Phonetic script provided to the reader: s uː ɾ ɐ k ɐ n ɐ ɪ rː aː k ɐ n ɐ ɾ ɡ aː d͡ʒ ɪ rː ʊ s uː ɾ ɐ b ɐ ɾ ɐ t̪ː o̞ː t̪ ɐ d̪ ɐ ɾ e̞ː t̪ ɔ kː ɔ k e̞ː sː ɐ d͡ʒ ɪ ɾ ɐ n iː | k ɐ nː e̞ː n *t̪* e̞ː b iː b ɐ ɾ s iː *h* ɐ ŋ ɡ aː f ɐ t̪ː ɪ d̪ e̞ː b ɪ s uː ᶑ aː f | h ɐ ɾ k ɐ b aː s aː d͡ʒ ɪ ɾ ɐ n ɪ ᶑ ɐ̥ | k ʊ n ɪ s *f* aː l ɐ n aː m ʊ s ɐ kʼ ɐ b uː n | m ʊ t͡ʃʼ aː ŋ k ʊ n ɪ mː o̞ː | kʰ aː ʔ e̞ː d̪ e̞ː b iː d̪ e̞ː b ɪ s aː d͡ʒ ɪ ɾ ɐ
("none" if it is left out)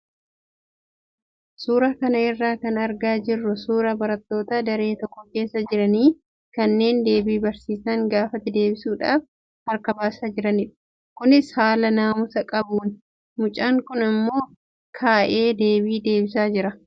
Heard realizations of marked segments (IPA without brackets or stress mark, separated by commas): d̪, s, h